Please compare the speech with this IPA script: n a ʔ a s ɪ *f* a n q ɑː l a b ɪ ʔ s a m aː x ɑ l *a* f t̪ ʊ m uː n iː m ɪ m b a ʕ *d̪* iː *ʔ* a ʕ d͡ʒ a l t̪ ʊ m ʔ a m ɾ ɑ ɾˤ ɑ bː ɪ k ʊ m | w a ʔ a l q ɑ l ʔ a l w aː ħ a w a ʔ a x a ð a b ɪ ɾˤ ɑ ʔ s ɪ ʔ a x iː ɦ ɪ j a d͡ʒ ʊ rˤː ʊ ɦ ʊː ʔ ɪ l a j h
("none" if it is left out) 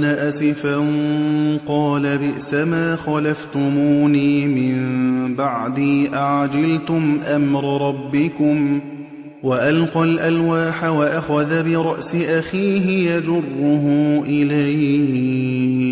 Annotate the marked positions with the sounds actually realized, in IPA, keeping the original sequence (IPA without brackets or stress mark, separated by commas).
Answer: f, a, d̪, ʔ